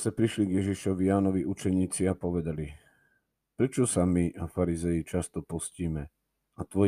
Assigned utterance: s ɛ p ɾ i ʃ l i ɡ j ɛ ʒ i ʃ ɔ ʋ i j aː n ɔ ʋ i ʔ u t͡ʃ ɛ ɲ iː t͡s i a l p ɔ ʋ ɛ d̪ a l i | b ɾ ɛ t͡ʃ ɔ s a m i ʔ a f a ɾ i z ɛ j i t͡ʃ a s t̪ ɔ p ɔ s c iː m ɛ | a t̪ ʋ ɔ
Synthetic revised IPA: s ɛ p ɾ i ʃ l i ɡ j ɛ ʒ i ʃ ɔ ʋ i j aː n ɔ ʋ i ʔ u t͡ʃ ɛ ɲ iː t͡s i a p ɔ ʋ ɛ d̪ a l i | p ɾ ɛ t͡ʃ ɔ s a m i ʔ a f a ɾ i z ɛ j i t͡ʃ a s t̪ ɔ p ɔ s c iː m ɛ | a t̪ ʋ ɔ